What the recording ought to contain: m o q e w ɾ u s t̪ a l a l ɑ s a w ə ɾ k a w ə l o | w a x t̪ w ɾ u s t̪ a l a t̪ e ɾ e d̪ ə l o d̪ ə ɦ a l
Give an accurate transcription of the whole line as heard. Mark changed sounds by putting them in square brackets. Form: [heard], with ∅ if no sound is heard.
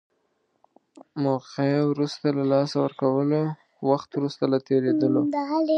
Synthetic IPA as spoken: m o q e w ɾ u s t̪ a l a l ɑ s a w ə ɾ k a w ə l o | w a x t̪ w ɾ u s t̪ a l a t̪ e ɾ e d̪ ə l o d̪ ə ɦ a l